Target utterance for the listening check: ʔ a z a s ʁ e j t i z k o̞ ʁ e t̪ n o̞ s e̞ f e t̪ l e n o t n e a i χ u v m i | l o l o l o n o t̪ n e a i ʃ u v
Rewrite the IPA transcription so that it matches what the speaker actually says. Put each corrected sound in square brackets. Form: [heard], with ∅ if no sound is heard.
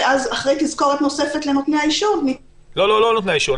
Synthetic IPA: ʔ a z a [χ] ʁ e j t i z k o̞ ʁ e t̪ n o̞ s e̞ f e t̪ l e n o t n e a i [ʃ] u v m i | l o l o l o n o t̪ n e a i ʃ u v